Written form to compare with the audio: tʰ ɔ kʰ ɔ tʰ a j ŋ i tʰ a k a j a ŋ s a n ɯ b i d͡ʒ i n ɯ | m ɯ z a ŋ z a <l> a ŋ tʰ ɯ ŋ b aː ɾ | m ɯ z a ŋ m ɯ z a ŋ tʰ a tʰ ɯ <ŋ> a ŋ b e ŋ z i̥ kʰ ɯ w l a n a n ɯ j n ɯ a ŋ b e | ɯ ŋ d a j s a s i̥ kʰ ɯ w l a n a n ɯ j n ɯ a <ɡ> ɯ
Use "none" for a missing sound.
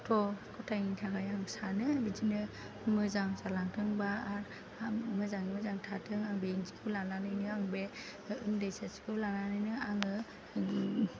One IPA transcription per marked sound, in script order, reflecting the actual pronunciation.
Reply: l, ŋ, ŋ

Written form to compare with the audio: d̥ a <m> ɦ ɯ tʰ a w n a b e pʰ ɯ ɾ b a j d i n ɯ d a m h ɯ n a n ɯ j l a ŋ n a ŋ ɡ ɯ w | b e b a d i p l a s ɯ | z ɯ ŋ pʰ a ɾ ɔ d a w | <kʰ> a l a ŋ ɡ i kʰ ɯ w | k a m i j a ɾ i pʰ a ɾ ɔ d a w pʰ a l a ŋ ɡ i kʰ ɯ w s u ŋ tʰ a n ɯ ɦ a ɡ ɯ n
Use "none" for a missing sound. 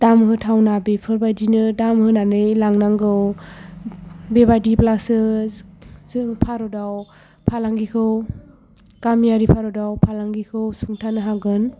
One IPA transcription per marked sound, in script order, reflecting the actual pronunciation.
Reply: m, pʰ

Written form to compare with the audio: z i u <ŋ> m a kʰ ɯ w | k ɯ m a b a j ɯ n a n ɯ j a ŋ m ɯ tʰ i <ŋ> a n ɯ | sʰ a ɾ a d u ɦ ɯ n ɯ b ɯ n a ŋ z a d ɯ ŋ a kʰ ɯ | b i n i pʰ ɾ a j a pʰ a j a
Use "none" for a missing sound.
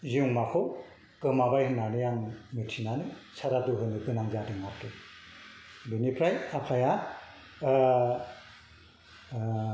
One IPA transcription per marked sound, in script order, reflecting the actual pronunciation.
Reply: ŋ, n

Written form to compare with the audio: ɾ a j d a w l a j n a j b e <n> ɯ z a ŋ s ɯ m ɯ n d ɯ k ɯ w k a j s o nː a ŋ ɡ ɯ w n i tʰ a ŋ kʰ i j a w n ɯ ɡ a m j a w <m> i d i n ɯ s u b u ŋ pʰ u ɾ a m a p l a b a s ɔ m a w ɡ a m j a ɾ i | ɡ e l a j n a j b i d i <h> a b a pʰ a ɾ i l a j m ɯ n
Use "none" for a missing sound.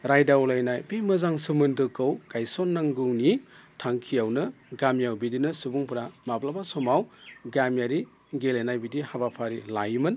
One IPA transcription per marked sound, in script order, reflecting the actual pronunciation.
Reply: m, b, h

